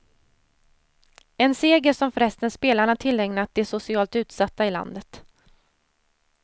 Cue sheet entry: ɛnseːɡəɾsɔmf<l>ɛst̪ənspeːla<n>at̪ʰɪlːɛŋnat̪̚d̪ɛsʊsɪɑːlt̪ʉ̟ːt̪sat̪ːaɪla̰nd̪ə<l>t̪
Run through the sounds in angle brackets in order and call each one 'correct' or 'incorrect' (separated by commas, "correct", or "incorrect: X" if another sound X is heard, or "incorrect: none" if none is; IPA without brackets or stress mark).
incorrect: ɾ, incorrect: ɳ, incorrect: none